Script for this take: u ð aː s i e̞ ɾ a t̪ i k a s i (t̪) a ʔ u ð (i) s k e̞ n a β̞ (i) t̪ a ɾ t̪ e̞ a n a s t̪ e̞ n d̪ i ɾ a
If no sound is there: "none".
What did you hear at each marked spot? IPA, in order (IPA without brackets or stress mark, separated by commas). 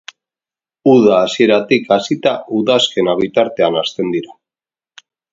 t̪, a, i